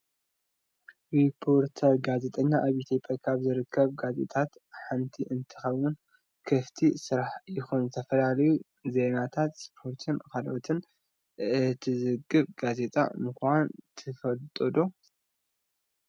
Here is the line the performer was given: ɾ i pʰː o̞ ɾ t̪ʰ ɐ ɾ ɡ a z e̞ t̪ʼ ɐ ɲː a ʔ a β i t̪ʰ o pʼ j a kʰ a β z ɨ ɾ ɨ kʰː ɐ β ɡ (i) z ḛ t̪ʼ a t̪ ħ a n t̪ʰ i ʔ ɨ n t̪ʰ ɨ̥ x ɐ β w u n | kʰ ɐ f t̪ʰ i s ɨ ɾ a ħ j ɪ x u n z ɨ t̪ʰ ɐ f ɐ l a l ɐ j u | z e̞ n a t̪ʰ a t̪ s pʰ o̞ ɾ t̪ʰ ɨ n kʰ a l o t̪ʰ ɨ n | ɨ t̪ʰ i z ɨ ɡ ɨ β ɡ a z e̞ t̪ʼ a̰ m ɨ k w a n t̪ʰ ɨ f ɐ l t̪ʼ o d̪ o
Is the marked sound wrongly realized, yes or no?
yes